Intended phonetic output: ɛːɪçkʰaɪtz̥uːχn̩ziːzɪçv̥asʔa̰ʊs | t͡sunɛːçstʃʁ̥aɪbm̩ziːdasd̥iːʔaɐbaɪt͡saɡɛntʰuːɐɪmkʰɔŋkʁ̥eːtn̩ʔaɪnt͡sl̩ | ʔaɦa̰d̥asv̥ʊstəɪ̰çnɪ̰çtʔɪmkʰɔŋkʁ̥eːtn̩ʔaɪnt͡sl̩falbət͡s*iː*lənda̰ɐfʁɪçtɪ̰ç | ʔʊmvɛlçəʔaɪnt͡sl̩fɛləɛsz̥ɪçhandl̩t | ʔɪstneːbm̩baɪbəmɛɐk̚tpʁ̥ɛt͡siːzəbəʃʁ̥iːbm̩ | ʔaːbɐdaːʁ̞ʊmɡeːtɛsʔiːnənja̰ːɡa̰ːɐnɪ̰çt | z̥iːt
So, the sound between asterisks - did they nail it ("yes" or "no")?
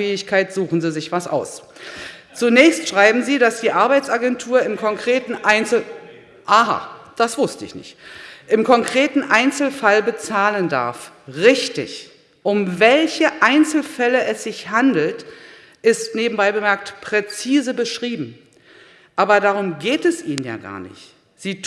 no